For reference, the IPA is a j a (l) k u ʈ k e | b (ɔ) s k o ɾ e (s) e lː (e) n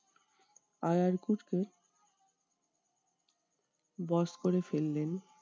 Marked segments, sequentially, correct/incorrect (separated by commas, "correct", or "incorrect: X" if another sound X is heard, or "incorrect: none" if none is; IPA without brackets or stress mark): incorrect: ɾ, correct, incorrect: f, correct